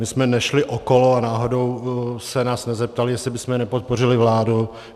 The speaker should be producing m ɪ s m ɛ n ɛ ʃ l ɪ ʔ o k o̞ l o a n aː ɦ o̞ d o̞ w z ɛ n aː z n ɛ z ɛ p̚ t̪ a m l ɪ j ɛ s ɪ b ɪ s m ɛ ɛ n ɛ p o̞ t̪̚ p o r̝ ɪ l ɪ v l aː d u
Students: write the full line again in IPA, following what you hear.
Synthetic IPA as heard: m ɪ s m ɛ n ɛ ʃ l ɪ ʔ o k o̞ l o a n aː ɦ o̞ d o̞ w s ɛ n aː s n ɛ z ɛ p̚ t̪ a l ɪ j ɛ s ɪ b ɪ s m ɛ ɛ n ɛ p o̞ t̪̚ p o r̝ ɪ l ɪ v l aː d u